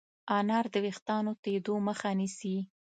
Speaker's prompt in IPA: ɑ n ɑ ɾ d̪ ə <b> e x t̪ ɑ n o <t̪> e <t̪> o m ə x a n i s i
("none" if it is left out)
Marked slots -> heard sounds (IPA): w, t̪, d̪

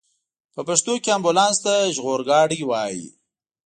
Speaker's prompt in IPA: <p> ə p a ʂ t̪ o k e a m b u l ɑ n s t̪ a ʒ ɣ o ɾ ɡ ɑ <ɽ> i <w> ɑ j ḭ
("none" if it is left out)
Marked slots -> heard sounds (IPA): p, ɽ, w

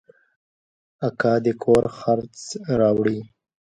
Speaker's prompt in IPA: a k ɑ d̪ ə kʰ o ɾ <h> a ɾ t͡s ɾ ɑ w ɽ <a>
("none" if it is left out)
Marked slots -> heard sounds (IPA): x, i

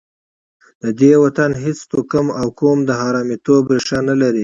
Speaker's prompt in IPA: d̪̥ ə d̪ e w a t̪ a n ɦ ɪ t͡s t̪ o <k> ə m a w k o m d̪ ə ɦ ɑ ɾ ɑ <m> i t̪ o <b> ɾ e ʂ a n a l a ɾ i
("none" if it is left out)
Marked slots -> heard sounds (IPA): k, m, b

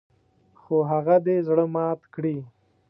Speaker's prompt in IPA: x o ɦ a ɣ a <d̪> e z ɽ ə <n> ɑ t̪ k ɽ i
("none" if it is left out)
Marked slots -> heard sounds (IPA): d̪, m

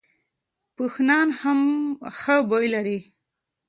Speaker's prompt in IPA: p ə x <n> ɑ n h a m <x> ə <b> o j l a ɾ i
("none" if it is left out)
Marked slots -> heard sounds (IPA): n, x, b

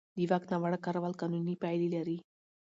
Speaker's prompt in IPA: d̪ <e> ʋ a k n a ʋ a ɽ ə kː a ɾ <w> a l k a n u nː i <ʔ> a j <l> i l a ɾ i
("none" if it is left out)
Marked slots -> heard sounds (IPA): i, ʋ, p, l

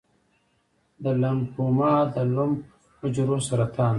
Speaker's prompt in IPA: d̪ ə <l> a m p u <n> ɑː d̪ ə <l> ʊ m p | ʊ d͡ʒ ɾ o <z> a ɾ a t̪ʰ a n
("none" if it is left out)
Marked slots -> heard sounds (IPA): l, m, l, s

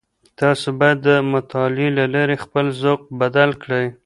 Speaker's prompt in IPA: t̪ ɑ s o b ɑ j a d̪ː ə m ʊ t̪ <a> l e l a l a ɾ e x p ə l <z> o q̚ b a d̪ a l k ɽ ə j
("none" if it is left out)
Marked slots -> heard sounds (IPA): ɑ, z

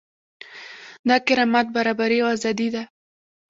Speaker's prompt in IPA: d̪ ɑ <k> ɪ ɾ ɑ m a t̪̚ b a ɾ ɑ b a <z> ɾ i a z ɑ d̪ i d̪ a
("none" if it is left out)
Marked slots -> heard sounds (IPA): k, none

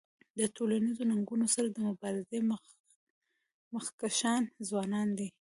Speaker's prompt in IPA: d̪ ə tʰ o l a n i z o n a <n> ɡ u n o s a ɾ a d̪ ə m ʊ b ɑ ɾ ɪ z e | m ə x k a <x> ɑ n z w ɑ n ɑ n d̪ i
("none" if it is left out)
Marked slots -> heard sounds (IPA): ŋ, ʃ

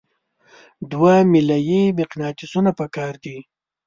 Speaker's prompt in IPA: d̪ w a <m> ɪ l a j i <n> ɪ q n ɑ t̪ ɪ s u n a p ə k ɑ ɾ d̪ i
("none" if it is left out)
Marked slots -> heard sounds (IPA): m, m

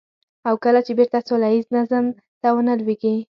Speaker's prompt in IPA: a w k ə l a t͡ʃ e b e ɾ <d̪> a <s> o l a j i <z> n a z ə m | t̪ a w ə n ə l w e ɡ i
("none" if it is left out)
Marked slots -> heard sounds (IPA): t̪, s, z

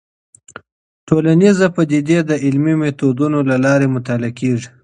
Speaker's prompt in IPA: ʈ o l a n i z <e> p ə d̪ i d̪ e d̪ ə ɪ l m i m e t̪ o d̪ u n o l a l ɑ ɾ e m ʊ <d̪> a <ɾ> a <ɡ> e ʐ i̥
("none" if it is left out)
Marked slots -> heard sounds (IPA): a, t̪, l, k

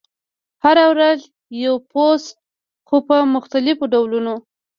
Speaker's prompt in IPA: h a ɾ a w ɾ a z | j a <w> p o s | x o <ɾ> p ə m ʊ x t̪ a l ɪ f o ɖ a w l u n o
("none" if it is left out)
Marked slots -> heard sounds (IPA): w, none

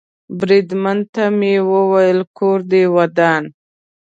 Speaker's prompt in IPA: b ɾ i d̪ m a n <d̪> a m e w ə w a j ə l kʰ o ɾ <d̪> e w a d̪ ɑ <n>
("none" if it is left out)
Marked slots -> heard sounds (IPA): t̪, d̪, n

